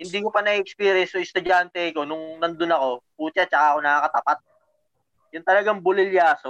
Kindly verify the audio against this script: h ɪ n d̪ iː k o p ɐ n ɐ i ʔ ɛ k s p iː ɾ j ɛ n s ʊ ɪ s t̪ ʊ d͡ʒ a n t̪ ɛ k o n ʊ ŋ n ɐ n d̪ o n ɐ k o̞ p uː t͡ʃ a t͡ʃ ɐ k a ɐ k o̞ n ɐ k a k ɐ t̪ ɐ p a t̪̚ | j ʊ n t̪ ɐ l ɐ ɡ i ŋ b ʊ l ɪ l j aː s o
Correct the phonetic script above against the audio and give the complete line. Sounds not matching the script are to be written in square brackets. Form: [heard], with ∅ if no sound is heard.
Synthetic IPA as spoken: h ɪ n d̪ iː k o p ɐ n ɐ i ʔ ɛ k s p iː ɾ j ɛ n s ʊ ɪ s t̪ ʊ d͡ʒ a n t̪ ɛ k o n ʊ ŋ n ɐ n d̪ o n ɐ k o̞ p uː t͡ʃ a t͡ʃ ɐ k a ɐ k o̞ n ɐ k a k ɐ t̪ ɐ p a t̪̚ | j ʊ n t̪ ɐ l ɐ ɡ [a] ŋ b ʊ l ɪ l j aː s o